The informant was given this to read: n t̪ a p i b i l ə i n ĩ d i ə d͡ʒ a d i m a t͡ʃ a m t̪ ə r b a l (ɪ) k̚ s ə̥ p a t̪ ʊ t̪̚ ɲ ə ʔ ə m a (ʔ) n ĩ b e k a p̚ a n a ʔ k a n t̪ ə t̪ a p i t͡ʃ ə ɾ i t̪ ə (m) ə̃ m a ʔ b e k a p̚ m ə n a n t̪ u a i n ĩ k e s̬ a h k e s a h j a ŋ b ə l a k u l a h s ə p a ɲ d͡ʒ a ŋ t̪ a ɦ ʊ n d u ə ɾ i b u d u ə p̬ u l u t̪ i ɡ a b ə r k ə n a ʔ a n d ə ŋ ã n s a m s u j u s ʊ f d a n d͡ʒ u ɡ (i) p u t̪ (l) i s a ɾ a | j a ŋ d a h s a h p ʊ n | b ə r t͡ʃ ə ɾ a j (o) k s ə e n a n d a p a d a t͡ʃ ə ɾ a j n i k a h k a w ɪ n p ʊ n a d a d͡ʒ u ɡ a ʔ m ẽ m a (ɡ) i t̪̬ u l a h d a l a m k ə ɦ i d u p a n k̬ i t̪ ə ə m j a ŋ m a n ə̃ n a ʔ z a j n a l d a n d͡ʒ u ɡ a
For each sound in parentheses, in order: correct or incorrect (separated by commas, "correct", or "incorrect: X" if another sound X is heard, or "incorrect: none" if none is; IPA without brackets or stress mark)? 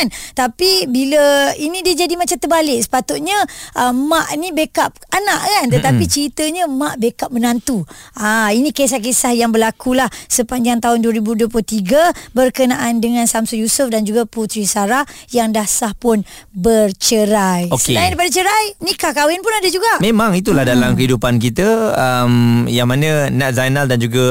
correct, correct, incorrect: ɲ, incorrect: a, incorrect: ɾ, correct, incorrect: ŋ